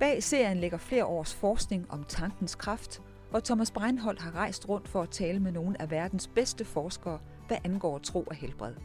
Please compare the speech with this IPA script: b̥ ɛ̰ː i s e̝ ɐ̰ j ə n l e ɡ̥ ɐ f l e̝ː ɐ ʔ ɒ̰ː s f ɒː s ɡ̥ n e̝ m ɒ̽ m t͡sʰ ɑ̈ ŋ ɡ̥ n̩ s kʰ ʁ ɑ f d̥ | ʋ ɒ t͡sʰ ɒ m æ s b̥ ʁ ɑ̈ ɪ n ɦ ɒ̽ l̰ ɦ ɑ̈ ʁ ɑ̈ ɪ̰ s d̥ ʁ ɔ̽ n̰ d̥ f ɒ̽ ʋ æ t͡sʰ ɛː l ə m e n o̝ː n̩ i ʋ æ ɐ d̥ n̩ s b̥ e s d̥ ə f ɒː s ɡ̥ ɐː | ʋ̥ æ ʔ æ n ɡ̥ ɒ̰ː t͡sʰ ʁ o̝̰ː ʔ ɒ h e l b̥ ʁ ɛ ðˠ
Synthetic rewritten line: b̥ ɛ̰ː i s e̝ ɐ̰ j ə n l e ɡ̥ ɐ f l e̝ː ɐ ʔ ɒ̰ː s f ɒː s ɡ̥ n e̝ ŋ ɒ̽ m t͡sʰ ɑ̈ ŋ ɡ̥ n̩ s kʰ ʁ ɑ f d̥ | ʋ ɒ t͡sʰ ɒ m æ s b̥ ʁ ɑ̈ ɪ n ɦ ɒ̽ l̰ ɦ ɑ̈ ʁ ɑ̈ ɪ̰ s d̥ ʁ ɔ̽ n̰ d̥ f ɒ̽ æ t͡sʰ ɛː l ə m e n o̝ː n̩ æ ʋ æ ɐ d̥ n̩ s b̥ e s d̥ ə f ɒː s ɡ̥ ɐː | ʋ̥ æ ʔ æ n ɡ̥ ɒ̰ː t͡sʰ ʁ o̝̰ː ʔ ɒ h e l b̥ ʁ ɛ ðˠ